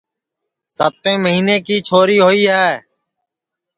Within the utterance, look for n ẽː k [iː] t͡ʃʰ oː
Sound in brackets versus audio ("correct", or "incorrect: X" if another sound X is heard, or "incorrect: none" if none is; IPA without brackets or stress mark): correct